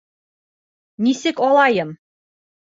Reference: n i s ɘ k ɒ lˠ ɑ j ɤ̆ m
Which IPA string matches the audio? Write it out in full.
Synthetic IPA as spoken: n i s ɘ k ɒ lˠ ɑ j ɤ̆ m